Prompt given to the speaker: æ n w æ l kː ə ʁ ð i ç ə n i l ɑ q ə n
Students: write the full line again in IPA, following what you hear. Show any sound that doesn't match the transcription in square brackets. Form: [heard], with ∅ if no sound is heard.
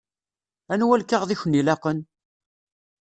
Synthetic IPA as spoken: æ n w æ l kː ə ʁ ð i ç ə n i l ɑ q ə n